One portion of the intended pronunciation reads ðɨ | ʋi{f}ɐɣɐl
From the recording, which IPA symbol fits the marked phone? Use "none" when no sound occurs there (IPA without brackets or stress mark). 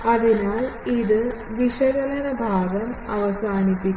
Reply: ʂ